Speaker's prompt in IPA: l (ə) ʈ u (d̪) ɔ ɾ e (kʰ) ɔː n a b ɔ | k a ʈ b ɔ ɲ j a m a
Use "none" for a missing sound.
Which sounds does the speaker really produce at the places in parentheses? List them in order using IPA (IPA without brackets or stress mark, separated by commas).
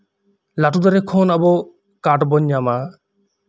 a, d̪, kʰ